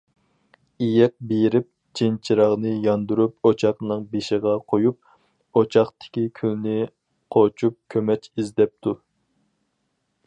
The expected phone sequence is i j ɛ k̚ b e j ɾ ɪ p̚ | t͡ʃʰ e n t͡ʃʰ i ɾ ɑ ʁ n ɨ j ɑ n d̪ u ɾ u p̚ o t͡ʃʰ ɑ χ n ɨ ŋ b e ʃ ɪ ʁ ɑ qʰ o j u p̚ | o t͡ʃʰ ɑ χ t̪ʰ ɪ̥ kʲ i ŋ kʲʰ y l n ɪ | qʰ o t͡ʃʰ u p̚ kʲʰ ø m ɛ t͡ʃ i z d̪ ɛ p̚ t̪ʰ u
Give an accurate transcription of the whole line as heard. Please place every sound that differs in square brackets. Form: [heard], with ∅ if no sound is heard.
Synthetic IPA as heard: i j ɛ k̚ b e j ɾ ɪ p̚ | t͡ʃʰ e n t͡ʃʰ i ɾ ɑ ʁ n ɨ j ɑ n d̪ u ɾ u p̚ o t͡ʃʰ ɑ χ n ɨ ŋ b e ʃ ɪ ʁ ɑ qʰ o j u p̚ | o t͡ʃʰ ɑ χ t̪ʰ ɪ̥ kʲ i [∅] kʲʰ y l n ɪ | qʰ o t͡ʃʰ u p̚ kʲʰ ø m ɛ t͡ʃ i z d̪ ɛ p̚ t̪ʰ u